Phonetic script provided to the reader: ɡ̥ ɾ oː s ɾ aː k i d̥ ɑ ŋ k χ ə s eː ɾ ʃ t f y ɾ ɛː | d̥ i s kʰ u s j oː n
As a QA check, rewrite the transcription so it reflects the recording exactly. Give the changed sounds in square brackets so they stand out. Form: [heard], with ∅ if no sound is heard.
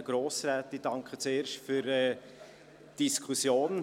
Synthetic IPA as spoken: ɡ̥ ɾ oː s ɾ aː [t] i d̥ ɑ ŋ k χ ə [t͡s] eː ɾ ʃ t f y ɾ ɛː | d̥ i s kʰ u s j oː n